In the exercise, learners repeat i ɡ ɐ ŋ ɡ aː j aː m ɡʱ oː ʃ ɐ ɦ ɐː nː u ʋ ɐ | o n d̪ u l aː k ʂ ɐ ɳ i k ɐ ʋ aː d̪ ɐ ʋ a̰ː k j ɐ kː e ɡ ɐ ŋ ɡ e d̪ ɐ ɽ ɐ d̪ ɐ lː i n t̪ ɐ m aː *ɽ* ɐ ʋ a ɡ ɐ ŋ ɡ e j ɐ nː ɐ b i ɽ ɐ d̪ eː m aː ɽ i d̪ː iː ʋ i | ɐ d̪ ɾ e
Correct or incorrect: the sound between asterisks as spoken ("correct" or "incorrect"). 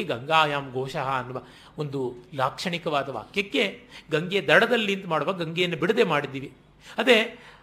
correct